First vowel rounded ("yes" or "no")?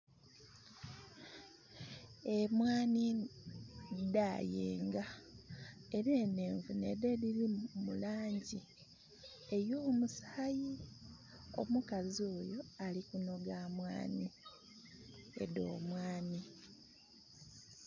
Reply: no